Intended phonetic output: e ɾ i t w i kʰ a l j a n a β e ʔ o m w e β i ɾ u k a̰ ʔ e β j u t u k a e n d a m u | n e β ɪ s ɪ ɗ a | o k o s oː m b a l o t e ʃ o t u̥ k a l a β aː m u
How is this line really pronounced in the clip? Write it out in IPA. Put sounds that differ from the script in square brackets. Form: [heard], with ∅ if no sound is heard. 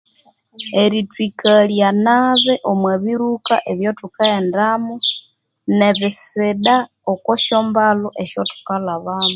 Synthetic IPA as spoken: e ɾ i t w i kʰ a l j a n a β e ʔ o m w e β i ɾ u k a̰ ʔ e β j [o] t u k a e n d a m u | n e β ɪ s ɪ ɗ a | o k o [ʃ] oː m b a l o [ʔ] e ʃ o t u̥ k a l a β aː m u